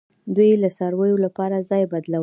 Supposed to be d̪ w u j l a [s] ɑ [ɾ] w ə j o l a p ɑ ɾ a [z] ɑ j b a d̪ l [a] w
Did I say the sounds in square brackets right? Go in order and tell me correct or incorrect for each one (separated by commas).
correct, correct, correct, correct